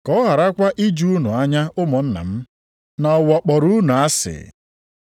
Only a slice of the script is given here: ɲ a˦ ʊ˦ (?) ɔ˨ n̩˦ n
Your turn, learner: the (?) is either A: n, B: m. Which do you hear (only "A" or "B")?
B